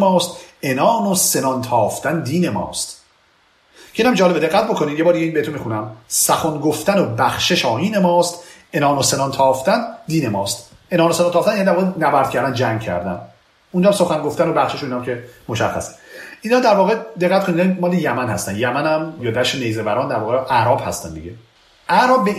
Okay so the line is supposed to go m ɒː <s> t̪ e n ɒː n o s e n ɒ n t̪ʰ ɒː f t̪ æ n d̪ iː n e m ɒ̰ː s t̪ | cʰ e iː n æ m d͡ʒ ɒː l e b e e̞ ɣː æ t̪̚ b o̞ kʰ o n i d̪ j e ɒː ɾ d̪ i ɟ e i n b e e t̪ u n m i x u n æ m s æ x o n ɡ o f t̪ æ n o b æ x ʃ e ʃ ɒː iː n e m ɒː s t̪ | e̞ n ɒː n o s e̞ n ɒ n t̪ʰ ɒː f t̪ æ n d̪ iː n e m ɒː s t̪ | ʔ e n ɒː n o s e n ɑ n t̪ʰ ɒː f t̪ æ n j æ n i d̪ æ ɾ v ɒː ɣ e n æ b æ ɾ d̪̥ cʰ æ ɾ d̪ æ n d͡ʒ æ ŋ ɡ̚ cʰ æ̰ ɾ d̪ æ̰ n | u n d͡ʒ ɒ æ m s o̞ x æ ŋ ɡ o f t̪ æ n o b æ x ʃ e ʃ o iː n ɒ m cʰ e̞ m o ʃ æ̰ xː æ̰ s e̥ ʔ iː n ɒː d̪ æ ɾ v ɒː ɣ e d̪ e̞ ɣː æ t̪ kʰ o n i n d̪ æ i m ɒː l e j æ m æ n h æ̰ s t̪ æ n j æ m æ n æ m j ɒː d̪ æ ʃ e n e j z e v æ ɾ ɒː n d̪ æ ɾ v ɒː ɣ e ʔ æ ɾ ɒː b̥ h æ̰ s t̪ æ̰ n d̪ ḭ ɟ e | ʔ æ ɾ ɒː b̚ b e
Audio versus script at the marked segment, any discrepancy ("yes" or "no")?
no